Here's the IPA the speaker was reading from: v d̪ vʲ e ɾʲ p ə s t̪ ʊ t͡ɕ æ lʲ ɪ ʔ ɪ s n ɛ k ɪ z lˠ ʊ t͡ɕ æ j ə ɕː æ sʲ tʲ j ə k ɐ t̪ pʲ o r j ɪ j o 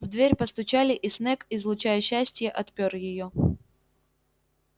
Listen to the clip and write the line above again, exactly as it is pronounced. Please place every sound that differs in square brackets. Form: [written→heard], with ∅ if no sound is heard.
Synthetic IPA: v d̪ vʲ e ɾʲ p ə s t̪ ʊ t͡ɕ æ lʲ ɪ ʔ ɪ s n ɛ k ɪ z lˠ ʊ t͡ɕ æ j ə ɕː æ sʲ tʲ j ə [k→ʔ] ɐ t̪ pʲ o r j ɪ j o